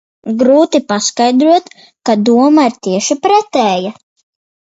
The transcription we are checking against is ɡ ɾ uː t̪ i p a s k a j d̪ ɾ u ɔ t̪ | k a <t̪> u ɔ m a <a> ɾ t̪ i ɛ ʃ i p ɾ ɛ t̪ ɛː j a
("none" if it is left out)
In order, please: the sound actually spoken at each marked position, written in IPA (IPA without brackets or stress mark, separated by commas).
d̪, i